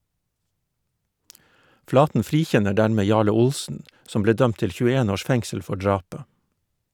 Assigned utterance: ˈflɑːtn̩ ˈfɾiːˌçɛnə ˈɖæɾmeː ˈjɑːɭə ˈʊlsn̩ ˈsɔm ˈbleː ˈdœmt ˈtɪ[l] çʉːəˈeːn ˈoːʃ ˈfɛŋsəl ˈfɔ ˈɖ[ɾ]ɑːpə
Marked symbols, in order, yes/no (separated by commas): yes, no